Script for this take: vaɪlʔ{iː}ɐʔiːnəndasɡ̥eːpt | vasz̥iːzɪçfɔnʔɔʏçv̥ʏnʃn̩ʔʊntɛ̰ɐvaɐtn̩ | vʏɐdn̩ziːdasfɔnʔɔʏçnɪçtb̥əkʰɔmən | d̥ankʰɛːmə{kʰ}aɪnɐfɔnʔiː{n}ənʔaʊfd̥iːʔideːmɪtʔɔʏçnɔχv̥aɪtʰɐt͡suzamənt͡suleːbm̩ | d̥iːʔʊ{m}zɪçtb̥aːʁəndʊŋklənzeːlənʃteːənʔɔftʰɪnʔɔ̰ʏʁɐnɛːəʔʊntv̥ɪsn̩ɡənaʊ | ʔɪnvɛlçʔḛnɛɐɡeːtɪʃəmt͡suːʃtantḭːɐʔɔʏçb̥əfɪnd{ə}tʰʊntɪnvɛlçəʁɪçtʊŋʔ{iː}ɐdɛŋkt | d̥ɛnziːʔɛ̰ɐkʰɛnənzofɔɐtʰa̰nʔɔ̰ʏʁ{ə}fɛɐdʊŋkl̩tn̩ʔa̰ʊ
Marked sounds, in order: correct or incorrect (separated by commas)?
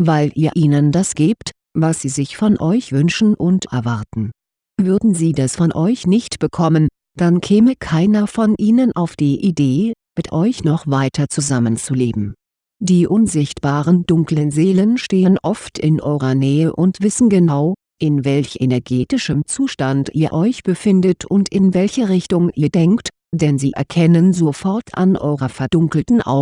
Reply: correct, correct, correct, incorrect, correct, correct, incorrect